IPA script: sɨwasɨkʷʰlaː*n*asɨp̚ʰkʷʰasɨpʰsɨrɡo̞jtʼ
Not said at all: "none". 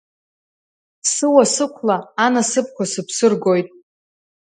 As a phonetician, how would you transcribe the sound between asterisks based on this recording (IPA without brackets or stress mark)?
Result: n